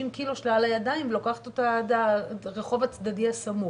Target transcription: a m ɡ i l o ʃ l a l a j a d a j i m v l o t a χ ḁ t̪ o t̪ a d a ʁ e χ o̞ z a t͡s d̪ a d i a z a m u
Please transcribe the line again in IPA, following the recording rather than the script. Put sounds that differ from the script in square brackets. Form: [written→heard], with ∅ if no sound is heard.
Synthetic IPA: [a→i] m [ɡ→k] i l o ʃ l a l a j a d a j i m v l o [t→k] a χ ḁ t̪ o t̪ a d a ʁ e χ o̞ [z→v] a t͡s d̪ a d i a [z→s] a m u